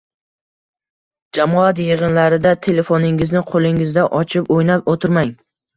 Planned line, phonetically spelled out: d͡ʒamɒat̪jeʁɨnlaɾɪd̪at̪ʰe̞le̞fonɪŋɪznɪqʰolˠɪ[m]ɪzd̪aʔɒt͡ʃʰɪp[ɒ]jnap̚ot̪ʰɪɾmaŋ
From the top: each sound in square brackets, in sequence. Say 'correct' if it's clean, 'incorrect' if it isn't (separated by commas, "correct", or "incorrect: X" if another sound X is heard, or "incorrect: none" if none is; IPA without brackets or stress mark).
incorrect: ŋ, incorrect: o